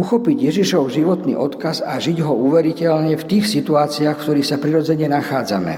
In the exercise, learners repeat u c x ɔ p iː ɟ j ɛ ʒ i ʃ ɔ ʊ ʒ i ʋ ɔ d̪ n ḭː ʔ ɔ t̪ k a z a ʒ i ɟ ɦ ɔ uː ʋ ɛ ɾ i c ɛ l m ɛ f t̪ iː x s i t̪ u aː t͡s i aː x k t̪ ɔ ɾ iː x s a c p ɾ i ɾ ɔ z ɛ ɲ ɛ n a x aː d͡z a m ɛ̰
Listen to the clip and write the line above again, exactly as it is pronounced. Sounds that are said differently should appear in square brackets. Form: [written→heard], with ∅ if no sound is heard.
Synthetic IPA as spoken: u [c→∅] x ɔ p [iː→i] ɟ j ɛ ʒ i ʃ ɔ ʊ ʒ i ʋ ɔ [d̪→t̪] n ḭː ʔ ɔ t̪ k a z a ʒ i ɟ ɦ ɔ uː ʋ ɛ ɾ i c ɛ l [m→ɲ] ɛ f t̪ iː x s i t̪ u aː t͡s i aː x k t̪ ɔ ɾ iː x s a [c→∅] p ɾ i ɾ ɔ [z→d͡z] ɛ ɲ ɛ n a x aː d͡z a m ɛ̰